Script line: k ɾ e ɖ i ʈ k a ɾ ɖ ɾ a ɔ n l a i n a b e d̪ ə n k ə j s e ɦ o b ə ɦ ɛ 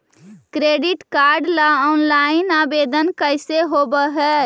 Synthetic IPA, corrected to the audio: k ɾ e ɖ i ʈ k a ɾ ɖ l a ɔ n l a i n a b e d̪ ə n k ə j s e ɦ o b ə ɦ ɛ